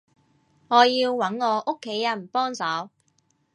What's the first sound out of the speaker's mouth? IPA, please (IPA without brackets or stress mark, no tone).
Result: ŋ